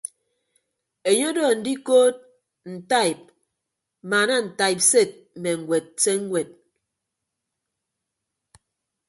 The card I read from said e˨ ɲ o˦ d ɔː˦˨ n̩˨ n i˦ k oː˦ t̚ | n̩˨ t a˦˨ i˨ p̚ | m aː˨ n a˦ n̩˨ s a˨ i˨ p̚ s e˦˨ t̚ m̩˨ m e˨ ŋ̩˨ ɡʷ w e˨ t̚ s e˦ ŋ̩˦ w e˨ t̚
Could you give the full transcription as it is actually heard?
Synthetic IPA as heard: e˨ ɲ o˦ d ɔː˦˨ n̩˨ d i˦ k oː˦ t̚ | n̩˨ t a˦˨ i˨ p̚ | m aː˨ n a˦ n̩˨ t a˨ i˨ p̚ s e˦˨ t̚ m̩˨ m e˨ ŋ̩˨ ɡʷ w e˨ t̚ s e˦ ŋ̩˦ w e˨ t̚